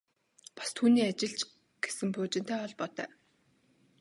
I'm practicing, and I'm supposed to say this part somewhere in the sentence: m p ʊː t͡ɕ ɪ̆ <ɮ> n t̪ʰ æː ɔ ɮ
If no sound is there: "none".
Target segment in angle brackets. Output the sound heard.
none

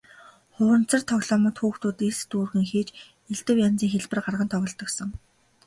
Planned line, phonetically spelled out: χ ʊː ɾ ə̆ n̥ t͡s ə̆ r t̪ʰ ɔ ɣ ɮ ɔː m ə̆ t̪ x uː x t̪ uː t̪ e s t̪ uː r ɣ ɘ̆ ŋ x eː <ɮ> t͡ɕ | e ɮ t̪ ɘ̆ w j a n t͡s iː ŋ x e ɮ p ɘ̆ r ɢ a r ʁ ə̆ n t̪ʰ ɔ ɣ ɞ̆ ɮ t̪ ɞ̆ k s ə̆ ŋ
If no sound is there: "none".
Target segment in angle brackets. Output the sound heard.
none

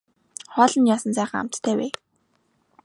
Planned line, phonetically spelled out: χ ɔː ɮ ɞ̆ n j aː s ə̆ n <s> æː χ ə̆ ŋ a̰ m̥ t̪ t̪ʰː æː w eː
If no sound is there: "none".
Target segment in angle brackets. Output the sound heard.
t͡s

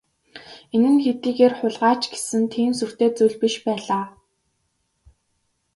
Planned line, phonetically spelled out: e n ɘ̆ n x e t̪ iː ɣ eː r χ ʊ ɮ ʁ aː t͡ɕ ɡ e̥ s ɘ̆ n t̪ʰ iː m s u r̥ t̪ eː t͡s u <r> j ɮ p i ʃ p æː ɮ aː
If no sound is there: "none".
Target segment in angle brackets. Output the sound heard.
none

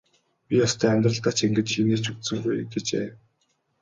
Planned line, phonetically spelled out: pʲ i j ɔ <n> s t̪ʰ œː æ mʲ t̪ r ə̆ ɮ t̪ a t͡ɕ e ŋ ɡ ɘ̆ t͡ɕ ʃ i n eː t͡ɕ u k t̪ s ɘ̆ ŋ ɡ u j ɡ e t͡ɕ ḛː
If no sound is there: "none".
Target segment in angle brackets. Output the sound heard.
none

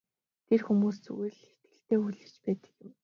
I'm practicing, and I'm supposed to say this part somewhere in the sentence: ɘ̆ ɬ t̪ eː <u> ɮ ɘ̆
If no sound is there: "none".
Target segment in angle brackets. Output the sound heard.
u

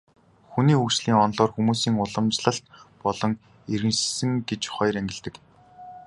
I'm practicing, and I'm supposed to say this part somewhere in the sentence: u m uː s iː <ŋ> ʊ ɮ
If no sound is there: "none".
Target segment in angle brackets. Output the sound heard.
ŋ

